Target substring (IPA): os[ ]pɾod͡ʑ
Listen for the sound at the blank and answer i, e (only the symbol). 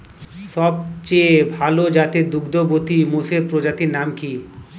e